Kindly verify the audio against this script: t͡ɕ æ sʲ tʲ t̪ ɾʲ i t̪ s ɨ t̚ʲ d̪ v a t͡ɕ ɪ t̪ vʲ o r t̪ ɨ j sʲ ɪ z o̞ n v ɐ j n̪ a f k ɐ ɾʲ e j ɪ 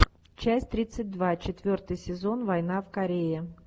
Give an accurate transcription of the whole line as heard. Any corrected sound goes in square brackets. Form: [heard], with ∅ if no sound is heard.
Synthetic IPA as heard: t͡ɕ æ sʲ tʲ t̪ ɾʲ i t̪ s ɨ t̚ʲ d̪ v a t͡ɕ ɪ t̪ vʲ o r t̪ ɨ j sʲ ɪ z o̞ n v ɐ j n̪ a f k ɐ ɾʲ e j ɪ